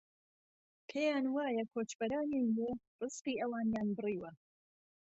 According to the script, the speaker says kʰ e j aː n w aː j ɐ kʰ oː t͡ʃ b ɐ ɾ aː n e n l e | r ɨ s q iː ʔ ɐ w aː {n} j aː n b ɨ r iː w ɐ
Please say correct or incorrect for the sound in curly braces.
correct